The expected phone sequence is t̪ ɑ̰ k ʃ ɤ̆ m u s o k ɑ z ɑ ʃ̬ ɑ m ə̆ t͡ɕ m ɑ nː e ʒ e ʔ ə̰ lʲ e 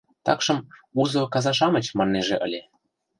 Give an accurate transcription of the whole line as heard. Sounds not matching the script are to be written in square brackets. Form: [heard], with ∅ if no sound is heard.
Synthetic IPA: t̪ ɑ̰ k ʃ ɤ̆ m u [z] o k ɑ z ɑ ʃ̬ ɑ m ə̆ t͡ɕ m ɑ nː e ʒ e ʔ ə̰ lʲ e